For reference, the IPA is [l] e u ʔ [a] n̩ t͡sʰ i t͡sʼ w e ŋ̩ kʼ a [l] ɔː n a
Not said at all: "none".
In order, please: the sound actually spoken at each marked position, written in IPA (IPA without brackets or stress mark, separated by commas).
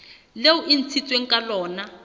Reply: l, i, l